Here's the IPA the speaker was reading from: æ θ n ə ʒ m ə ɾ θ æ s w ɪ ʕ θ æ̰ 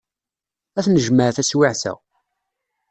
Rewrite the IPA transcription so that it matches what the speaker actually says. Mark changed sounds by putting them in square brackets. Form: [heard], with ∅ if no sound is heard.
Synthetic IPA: æ θ n ə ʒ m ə ɾ θ æ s w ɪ ʕ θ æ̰